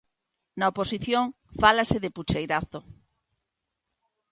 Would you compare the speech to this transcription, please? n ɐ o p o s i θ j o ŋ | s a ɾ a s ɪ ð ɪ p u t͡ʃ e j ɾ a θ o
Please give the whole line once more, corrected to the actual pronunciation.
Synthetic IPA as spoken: n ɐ o p o s i θ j o ŋ | f a l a s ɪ ð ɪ p u t͡ʃ e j ɾ a θ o